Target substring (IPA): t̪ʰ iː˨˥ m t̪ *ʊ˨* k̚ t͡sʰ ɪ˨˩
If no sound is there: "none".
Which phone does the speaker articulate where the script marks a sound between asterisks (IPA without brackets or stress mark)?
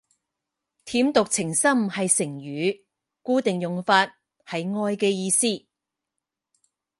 ʊ˨